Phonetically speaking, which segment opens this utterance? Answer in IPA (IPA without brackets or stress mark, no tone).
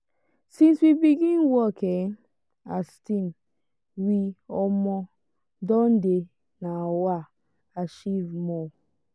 s